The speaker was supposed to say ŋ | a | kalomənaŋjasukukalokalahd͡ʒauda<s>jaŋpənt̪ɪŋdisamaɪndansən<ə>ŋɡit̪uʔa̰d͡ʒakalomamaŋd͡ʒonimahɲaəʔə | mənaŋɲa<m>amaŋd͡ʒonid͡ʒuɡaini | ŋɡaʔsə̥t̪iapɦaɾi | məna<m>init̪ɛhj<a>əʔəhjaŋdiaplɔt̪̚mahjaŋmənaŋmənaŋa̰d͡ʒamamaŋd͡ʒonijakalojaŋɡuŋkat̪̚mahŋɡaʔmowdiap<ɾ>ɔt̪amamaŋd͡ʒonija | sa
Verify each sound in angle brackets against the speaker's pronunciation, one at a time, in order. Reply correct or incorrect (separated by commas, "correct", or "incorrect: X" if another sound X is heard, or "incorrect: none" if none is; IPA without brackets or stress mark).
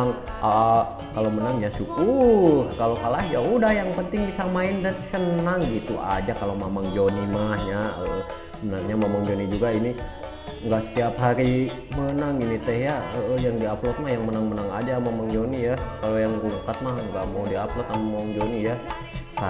incorrect: h, incorrect: a, correct, incorrect: ŋ, correct, incorrect: l